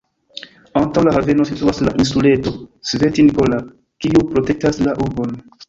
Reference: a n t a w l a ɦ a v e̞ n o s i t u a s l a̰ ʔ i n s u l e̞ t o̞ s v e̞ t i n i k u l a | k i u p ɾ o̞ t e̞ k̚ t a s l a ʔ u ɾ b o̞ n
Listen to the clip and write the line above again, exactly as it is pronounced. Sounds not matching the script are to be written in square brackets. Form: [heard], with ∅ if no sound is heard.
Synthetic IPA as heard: a n t a w l a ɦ a v e̞ n o s i t u a s l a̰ ʔ i n s u l e̞ t o̞ s v e̞ t i n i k [o] l a | k i u p ɾ o̞ t e̞ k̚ t a s l a ʔ u ɾ b o̞ n